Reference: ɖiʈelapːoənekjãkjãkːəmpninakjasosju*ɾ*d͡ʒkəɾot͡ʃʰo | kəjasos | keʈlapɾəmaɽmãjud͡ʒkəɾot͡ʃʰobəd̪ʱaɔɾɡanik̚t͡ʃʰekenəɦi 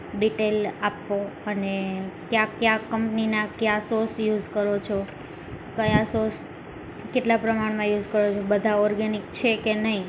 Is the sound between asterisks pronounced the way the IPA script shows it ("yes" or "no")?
no